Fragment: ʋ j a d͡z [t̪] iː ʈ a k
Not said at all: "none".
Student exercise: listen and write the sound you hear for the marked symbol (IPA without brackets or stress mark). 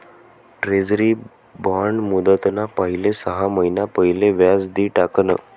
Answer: d̪